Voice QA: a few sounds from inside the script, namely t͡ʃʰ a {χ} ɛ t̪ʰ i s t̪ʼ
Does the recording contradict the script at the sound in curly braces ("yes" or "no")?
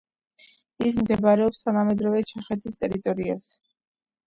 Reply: no